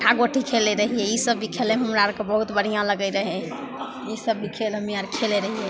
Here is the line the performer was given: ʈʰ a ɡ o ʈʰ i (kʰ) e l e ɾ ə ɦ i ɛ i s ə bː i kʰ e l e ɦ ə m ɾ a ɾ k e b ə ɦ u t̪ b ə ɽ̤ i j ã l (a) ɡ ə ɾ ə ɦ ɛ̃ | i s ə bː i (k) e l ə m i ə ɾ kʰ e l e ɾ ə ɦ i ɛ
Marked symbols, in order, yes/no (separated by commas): yes, no, no